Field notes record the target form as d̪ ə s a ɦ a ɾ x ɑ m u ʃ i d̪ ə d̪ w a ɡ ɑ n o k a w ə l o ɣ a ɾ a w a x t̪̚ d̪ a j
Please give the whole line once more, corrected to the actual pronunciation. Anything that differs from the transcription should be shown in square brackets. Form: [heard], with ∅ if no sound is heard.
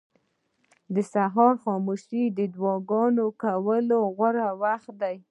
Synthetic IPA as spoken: d̪ ə s a ɦ [ɑ] ɾ x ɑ m u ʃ i d̪ ə d̪ w [ɑ] ɡ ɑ n o k a w ə l o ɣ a ɾ a w a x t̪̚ d̪ a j